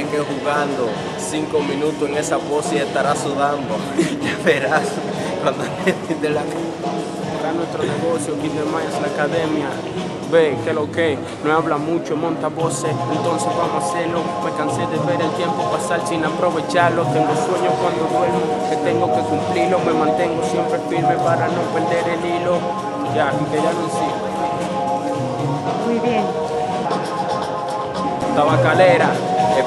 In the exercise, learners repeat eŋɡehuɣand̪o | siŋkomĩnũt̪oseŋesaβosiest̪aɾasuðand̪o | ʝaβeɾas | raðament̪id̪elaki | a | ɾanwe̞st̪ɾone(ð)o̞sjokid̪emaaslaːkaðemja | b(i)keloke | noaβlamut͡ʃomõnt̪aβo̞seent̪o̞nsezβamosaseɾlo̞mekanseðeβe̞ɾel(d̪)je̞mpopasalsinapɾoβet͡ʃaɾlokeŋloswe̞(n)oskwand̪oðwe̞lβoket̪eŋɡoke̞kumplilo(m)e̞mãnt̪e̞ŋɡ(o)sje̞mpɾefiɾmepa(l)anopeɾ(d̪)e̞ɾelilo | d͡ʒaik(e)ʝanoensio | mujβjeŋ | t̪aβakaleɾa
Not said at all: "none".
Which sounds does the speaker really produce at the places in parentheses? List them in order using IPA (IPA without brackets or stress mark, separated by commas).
ɣ, e, t̪, ɲ, m, o, ɾ, d̪, e